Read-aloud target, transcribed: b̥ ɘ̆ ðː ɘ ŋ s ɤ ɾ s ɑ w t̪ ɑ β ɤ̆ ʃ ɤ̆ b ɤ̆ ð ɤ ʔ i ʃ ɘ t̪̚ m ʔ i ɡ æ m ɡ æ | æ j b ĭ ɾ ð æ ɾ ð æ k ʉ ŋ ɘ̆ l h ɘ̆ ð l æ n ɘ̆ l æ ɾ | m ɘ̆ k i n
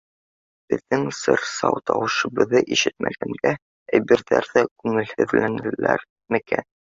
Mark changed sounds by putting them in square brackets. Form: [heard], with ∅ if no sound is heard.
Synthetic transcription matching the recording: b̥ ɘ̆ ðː ɘ ŋ s ɤ ɾ s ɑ w t̪ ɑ [w] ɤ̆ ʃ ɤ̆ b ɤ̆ ð ɤ ʔ i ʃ ɘ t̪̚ m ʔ [æ] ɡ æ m ɡ æ | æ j b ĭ ɾ ð æ ɾ ð æ k ʉ ŋ ɘ̆ l h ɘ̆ ð l æ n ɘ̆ l æ ɾ | m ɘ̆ k [æ] n